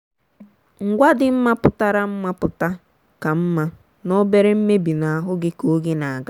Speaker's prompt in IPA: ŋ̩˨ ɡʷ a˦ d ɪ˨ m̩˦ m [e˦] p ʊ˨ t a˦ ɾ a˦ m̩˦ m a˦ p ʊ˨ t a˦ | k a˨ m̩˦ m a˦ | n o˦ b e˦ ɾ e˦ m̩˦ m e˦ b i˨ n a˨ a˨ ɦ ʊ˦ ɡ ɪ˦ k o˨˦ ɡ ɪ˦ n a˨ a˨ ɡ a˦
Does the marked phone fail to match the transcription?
yes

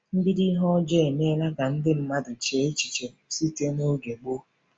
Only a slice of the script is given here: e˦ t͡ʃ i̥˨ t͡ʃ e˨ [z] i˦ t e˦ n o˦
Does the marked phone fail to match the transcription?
yes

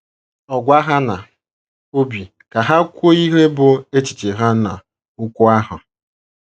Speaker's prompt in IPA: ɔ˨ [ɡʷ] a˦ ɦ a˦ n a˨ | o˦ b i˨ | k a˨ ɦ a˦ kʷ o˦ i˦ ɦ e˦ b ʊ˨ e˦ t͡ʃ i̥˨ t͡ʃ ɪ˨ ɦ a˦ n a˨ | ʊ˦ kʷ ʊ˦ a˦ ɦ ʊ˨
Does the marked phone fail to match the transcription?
no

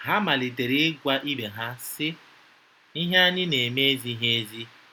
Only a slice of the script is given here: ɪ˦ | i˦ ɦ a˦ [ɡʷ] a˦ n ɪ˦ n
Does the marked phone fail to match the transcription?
yes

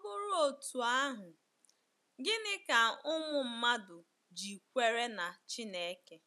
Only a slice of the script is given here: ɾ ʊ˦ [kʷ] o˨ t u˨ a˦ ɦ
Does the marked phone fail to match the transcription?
yes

